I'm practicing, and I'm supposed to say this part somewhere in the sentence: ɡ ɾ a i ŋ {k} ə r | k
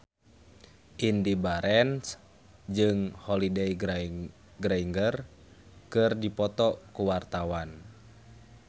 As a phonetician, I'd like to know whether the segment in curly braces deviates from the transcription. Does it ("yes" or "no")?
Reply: yes